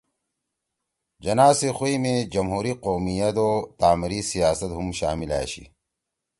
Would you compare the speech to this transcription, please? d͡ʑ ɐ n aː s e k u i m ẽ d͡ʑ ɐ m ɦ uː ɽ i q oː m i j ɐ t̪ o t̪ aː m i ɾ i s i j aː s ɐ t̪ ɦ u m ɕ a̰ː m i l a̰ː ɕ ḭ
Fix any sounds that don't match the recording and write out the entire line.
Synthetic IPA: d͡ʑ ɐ n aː s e x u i m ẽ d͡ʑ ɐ m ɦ uː ɾ i q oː m i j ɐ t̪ o t̪ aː m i ɾ i s i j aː s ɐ t̪ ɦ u m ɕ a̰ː m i l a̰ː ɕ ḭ